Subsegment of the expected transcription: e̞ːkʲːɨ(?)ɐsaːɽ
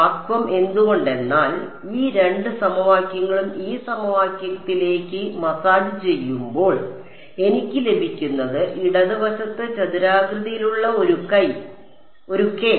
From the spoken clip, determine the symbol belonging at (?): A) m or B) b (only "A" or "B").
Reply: A